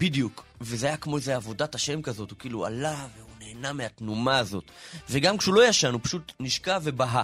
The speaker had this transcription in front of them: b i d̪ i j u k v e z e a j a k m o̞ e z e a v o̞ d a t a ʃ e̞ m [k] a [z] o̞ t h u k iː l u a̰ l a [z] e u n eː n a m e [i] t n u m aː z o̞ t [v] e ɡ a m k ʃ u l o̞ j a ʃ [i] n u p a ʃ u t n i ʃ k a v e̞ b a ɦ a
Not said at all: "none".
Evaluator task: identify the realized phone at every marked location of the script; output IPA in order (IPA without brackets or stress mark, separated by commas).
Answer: k, z, v, a, v, a